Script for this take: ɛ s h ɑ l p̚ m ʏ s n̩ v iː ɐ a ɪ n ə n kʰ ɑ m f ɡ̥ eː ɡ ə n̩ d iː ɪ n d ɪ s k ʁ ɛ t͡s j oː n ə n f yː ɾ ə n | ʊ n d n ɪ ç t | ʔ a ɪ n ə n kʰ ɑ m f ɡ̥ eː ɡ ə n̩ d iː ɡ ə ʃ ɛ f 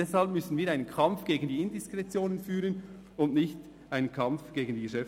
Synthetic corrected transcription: ɛ s h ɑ l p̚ m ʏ s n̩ v iː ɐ a ɪ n ə n kʰ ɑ m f ɡ̥ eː ɡ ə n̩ d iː ɪ n d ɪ s k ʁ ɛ t͡s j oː n ə n f yː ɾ ə n | ʊ n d n ɪ ç t | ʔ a ɪ n ə n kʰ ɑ m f ɡ̥ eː ɡ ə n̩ d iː ɡ ə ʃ ɛ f